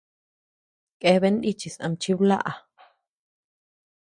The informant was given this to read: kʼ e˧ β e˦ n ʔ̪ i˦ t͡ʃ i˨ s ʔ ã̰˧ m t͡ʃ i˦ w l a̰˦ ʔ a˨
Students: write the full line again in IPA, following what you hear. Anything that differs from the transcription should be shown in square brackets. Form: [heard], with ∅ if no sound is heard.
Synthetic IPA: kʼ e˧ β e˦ n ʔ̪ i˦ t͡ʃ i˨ s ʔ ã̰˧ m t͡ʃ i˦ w l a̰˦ ʔ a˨